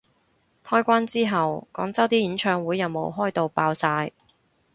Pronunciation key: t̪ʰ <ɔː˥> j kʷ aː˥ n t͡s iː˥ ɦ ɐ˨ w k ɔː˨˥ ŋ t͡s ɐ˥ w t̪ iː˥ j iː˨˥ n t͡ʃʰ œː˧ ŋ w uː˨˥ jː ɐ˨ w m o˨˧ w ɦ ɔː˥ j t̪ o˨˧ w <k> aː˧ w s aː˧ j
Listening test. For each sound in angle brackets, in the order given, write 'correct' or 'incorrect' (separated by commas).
correct, incorrect